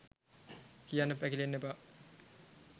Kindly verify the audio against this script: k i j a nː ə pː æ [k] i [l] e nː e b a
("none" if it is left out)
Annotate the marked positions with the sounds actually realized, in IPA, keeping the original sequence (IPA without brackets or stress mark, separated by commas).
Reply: k, l